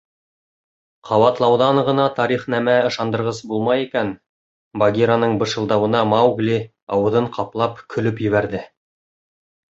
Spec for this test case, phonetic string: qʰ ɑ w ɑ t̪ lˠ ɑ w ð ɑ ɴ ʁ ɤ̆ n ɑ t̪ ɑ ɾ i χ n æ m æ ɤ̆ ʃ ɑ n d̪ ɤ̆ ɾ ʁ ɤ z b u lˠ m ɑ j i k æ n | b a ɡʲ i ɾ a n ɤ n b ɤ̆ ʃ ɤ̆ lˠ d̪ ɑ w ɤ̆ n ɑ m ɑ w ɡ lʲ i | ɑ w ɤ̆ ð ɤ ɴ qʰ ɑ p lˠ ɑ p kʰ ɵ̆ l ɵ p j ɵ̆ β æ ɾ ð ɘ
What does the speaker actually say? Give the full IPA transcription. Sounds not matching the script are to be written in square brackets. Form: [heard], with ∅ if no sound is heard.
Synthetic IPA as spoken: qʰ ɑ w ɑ t̪ lˠ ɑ w ð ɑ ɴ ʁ ɤ̆ n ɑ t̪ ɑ ɾ i χ n æ m æ ɤ̆ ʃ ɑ n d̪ ɤ̆ ɾ ʁ ɤ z b u lˠ m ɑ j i k æ n | b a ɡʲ i ɾ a n ɤ [ɴ] b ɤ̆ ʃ ɤ̆ lˠ d̪ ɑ w ɤ̆ n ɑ m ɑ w ɡ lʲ i | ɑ w ɤ̆ ð ɤ ɴ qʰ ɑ p lˠ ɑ p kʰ ɵ̆ l ɵ p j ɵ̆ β æ ɾ ð ɘ